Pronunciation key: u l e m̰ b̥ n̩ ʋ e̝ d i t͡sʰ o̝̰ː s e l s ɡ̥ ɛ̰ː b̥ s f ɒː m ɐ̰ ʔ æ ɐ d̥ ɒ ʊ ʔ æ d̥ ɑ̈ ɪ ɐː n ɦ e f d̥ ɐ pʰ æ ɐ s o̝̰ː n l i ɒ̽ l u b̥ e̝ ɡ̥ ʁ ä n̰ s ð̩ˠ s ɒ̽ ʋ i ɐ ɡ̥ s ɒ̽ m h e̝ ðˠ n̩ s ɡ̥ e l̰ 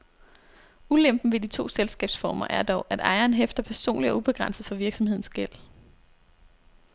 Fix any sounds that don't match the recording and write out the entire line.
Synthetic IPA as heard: u l e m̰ b̥ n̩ ʋ e̝ d i t͡sʰ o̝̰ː s e l s ɡ̥ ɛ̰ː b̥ s f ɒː m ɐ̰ ʔ æ ɐ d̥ ɒ ʊ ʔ æ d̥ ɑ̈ ɪ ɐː n ɦ e f d̥ ɐ pʰ æ ɐ s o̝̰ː n l i ɒ̽ u b̥ e̝ ɡ̥ ʁ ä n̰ s ð̩ˠ f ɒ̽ ʋ i ɐ ɡ̥ s ɒ̽ m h e̝ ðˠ n̩ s ɡ̥ e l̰